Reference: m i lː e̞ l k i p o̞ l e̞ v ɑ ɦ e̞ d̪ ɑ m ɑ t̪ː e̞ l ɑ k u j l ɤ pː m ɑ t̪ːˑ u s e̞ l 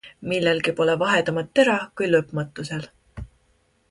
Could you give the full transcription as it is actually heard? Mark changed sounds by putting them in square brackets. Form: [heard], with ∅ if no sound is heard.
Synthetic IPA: m i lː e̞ l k i p o̞ l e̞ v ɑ ɦ e̞ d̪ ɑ m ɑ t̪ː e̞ [ɾ] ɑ k u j l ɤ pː m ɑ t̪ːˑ u s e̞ l

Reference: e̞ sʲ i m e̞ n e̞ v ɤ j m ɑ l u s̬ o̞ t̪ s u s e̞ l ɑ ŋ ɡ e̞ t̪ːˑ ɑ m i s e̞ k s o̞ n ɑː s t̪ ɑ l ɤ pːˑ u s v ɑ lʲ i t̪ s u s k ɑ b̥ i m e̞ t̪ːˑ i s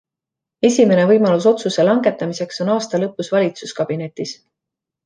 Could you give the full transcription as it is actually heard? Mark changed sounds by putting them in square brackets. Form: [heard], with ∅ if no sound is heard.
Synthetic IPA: e̞ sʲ i m e̞ n e̞ v ɤ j m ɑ l u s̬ o̞ t̪ s u s e̞ l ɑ ŋ ɡ e̞ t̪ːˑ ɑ m i s e̞ k s o̞ n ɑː s t̪ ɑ l ɤ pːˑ u s v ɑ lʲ i t̪ s u s k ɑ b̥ i [n] e̞ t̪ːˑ i s

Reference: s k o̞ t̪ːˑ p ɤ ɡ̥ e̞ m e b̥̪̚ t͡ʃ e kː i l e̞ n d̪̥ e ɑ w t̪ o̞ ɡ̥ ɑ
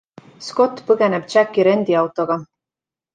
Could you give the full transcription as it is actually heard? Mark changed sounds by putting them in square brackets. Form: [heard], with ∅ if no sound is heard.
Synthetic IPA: s k o̞ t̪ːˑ p ɤ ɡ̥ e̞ [n] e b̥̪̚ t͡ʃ [æ] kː i [ɾ] e̞ n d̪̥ [i] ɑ w t̪ o̞ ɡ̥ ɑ

